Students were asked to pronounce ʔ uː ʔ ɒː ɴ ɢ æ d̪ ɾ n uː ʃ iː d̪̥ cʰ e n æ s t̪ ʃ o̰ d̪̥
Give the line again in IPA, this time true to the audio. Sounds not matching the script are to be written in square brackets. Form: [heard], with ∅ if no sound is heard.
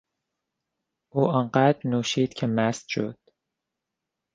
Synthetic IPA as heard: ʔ uː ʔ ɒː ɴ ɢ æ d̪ ɾ n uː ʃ iː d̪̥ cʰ e [m] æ s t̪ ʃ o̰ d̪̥